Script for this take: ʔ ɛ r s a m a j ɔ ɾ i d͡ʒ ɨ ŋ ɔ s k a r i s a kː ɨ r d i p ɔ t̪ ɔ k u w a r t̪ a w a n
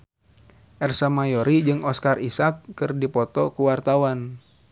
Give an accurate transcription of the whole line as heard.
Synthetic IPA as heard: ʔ ɛ r s a m a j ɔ ɾ i d͡ʒ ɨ ŋ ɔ s k a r i s a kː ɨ r d i p ɔ t̪ ɔ k u w a r t̪ a w a n